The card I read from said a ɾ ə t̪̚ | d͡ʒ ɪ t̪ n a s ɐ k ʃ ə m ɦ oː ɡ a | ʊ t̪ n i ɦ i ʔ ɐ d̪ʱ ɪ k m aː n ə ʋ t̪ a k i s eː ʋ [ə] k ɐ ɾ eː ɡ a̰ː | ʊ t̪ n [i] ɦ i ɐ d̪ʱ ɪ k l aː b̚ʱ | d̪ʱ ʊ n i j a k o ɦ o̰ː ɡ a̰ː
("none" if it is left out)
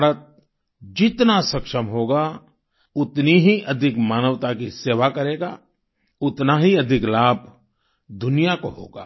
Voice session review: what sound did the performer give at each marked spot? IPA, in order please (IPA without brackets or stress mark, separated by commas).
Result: a, a